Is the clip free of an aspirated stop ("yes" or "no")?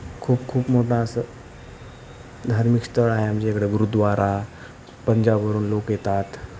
no